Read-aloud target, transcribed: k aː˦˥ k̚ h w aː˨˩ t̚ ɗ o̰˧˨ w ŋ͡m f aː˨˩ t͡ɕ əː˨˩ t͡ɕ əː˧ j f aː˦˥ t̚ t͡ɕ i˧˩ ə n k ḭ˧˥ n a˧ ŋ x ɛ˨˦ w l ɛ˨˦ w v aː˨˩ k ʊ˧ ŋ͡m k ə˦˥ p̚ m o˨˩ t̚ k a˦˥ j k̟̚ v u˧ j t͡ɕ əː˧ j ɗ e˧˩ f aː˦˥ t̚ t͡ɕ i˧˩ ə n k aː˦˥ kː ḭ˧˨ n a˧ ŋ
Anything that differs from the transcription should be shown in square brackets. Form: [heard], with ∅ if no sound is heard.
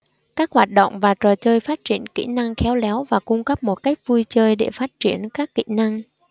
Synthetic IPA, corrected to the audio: k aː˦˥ k̚ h w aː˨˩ t̚ ɗ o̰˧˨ w ŋ͡m [v] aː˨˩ t͡ɕ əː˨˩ t͡ɕ əː˧ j f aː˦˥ t̚ t͡ɕ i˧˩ ə n k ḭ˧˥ n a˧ ŋ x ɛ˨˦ w l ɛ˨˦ w v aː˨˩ k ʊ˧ ŋ͡m k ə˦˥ p̚ m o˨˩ t̚ k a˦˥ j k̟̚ v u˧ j t͡ɕ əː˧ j ɗ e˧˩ f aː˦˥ t̚ t͡ɕ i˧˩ ə n k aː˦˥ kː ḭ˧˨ n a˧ ŋ